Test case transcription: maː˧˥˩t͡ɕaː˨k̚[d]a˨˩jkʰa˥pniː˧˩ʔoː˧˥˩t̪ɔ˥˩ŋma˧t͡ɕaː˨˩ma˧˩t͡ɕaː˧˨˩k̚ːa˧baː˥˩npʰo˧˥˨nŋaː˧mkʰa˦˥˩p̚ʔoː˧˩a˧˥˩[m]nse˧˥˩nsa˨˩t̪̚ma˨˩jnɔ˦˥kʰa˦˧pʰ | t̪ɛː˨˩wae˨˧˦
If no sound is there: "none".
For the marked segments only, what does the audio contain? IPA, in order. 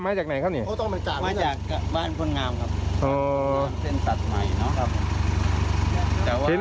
n, none

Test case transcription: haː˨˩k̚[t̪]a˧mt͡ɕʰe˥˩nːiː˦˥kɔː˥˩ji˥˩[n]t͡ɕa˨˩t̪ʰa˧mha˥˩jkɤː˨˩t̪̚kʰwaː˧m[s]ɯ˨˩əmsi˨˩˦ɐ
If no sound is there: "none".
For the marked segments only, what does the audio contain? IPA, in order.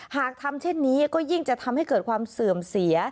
t̪ʰ, ŋ, s

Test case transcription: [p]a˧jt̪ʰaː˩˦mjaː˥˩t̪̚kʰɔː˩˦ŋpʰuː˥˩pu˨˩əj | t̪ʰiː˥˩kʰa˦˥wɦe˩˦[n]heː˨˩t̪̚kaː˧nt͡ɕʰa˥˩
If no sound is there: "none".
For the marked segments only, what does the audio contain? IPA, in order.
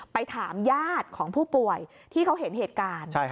p, n

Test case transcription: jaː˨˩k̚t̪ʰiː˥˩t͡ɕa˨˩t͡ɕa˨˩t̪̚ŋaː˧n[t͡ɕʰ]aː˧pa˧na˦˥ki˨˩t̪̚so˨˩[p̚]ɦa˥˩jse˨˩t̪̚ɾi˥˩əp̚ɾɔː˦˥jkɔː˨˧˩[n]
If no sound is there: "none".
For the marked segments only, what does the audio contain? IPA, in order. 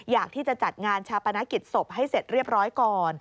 t͡ɕʰ, p̚, n

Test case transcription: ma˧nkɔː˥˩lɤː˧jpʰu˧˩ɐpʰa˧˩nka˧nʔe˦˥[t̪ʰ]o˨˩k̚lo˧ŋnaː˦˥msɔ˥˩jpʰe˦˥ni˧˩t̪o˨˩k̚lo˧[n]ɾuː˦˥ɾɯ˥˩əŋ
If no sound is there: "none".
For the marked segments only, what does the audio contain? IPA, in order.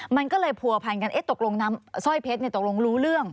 t̪, ŋ

